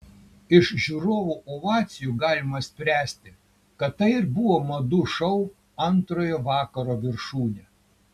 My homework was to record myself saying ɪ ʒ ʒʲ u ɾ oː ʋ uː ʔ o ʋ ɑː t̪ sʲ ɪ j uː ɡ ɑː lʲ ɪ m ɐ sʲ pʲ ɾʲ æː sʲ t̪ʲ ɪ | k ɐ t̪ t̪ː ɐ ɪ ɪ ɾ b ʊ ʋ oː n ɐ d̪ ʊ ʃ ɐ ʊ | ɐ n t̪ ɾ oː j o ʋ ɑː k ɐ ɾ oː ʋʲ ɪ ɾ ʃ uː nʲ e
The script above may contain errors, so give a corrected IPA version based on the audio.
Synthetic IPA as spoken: ɪ ʃ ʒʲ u ɾ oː ʋ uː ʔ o ʋ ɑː t̪ sʲ ɪ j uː ɡ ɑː lʲ ɪ m ɐ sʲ pʲ ɾʲ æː sʲ t̪ʲ ɪ | k ɐ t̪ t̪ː ɐ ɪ ɪ ɾ b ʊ ʋ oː m ɐ d̪ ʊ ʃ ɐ ʊ | ɐ n t̪ ɾ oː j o ʋ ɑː k ɐ ɾ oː ʋʲ ɪ ɾ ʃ uː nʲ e